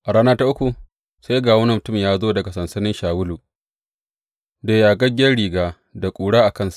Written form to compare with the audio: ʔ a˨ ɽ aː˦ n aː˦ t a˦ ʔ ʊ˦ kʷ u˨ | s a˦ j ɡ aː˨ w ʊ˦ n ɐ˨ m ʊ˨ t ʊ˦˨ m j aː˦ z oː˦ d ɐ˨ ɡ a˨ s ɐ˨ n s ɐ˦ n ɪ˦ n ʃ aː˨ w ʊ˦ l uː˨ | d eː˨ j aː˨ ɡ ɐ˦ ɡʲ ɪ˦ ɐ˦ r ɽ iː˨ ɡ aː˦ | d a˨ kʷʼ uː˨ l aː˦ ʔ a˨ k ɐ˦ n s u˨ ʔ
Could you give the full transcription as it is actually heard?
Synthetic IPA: ʔ a˨ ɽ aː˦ n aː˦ t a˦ ʔ ʊ˦ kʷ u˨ | s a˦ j ɡ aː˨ w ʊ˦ n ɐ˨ m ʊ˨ t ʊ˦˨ m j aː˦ z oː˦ d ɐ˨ ɡ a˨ s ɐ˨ n s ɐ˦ n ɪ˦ n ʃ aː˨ w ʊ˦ l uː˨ | d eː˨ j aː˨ ɡ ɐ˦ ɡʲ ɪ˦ ɐ˦ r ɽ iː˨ ɡ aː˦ | d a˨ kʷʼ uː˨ ɽ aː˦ ʔ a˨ k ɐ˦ n s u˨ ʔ